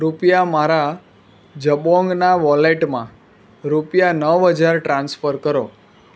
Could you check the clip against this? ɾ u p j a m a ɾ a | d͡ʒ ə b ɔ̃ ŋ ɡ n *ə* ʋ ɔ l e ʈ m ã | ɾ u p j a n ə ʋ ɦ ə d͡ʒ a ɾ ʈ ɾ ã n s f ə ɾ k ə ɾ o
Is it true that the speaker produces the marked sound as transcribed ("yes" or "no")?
no